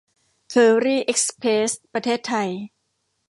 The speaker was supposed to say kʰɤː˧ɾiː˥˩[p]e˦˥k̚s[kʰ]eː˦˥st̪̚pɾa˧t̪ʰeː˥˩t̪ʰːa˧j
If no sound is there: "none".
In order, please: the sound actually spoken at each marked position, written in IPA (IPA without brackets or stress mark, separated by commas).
ʔ, pʰ